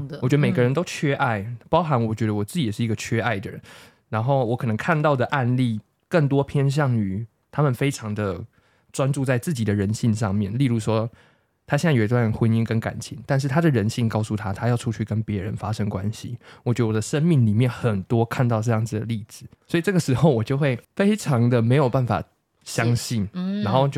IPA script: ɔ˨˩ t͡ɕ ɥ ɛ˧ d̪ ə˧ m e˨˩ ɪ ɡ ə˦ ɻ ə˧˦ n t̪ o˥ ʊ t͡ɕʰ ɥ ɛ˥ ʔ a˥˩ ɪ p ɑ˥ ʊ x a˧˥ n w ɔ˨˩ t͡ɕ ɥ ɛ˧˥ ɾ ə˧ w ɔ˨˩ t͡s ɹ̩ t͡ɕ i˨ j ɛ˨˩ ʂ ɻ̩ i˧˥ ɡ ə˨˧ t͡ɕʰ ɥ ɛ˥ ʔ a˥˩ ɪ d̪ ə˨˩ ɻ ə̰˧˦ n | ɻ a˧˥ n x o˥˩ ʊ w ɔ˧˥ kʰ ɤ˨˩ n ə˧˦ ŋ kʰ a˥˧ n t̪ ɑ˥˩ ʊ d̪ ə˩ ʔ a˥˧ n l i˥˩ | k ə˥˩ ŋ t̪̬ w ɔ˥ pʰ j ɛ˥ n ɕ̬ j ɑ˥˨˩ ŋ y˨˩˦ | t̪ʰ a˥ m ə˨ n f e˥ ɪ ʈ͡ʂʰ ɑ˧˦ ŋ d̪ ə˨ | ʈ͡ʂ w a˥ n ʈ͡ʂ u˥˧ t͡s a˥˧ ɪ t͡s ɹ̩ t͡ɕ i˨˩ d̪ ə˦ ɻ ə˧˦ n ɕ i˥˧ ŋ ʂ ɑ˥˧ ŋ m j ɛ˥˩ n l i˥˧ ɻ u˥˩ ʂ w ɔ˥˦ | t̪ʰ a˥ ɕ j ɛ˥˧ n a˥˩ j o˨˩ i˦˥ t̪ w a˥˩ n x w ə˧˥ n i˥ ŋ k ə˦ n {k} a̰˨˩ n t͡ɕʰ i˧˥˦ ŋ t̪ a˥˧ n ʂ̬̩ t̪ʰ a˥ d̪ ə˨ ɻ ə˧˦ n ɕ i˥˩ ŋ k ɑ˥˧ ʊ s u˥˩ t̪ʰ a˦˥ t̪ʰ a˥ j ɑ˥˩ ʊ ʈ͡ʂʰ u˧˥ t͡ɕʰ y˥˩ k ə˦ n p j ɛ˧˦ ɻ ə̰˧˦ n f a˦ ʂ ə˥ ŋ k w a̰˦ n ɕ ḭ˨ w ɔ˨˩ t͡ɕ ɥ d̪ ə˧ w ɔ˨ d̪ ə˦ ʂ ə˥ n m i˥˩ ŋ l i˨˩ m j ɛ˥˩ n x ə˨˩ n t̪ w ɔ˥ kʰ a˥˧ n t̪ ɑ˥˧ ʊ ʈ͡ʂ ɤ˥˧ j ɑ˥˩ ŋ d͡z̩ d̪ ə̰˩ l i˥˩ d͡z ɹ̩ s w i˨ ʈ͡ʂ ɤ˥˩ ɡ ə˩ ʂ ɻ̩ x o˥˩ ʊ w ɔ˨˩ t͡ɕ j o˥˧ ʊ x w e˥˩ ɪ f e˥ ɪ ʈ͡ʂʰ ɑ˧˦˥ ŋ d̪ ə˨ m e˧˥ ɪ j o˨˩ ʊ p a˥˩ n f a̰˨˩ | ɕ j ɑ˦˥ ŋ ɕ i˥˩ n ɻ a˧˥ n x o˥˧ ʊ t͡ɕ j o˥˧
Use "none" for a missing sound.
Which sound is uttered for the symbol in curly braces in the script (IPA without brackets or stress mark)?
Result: k